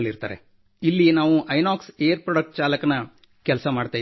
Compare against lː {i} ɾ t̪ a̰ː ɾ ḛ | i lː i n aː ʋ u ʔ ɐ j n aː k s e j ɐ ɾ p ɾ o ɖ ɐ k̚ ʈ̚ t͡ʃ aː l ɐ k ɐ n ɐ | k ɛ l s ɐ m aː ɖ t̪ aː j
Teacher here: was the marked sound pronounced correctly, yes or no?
yes